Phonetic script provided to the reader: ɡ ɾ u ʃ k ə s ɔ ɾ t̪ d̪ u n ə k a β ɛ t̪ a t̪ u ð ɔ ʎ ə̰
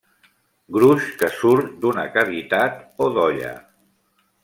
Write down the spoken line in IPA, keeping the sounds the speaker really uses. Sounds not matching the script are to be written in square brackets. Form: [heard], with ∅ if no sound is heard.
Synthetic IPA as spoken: ɡ ɾ u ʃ k ə s [u] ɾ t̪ d̪ u n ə k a β [i] t̪ a t̪ [o] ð ɔ ʎ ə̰